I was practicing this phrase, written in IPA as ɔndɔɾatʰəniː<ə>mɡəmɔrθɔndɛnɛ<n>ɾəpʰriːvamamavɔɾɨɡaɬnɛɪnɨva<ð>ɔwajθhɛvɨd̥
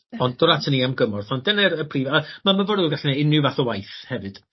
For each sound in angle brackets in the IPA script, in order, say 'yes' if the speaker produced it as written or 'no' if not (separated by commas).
no, no, no